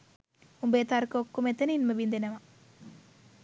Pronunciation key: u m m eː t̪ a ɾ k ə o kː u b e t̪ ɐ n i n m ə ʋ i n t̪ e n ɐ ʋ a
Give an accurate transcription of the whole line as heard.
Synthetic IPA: u m b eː t̪ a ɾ k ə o kː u m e t̪ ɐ n i n m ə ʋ i n d̪ e n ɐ ʋ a